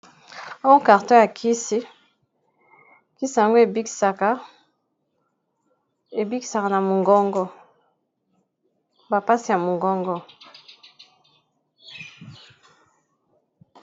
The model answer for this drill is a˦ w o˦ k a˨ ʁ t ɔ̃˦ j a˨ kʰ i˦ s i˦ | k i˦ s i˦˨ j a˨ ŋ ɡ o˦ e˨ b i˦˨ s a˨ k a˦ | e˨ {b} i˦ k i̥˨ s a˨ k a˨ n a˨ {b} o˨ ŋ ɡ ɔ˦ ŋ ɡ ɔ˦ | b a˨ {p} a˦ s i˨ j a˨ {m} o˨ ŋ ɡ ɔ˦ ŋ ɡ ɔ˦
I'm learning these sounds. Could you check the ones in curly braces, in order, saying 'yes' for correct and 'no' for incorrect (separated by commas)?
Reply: yes, no, yes, yes